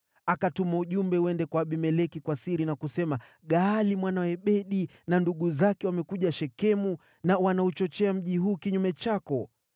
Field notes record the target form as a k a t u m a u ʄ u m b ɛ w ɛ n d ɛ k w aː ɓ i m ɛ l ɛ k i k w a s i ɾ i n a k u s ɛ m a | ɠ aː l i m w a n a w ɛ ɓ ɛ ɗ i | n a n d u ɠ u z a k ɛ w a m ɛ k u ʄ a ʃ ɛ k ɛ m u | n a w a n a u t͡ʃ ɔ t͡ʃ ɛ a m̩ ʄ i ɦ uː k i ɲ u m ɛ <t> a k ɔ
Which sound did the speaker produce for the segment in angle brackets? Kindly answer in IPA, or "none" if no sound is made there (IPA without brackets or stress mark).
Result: t͡ʃ